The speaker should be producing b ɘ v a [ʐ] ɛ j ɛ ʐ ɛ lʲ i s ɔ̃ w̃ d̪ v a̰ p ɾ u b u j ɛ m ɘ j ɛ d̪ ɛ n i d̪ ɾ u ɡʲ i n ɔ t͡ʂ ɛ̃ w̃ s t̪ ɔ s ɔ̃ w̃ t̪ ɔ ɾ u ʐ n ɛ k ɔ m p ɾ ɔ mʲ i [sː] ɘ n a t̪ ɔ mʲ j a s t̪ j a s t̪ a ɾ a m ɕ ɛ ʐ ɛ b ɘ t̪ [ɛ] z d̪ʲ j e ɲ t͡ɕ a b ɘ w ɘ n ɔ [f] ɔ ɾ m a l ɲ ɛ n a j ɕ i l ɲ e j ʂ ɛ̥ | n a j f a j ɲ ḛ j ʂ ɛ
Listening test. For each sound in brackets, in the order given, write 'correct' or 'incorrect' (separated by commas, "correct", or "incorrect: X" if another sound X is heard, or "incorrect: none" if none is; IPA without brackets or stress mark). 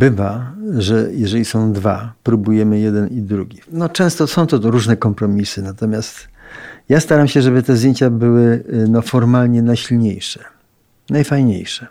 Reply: correct, incorrect: s, correct, correct